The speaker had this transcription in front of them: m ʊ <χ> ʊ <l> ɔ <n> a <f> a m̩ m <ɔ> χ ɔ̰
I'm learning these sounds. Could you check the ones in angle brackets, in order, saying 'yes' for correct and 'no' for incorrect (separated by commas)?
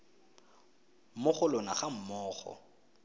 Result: yes, yes, yes, no, no